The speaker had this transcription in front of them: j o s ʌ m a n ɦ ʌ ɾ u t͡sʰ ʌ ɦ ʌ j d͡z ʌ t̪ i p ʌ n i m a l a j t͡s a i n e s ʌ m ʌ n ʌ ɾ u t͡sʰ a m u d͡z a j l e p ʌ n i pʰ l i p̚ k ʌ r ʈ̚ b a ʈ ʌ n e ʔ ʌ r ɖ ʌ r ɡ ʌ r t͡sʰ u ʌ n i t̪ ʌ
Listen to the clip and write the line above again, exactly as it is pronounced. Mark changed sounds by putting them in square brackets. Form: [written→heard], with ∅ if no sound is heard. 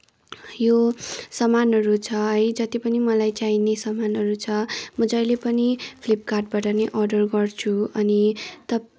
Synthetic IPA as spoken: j o s ʌ m a n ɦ ʌ ɾ u t͡sʰ ʌ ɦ ʌ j d͡z ʌ t̪ i p ʌ n i m [a→ʌ] l a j t͡s a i n e s ʌ m [ʌ→a] n ʌ ɾ u t͡sʰ [a→ʌ] m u d͡z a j l e p ʌ n i pʰ l i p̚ k [ʌ→a] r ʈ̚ b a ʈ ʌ n e ʔ ʌ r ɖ ʌ r ɡ ʌ r t͡sʰ u ʌ n i t̪ ʌ